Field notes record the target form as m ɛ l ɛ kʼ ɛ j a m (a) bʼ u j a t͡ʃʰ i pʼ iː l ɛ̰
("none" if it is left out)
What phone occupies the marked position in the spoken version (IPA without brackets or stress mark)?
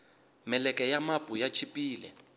a